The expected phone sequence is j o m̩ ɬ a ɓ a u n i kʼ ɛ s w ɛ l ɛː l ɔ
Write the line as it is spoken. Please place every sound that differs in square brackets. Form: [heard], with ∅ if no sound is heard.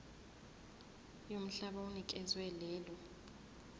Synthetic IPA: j o m̩ ɬ a ɓ a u n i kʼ ɛ [z] w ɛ l ɛː l ɔ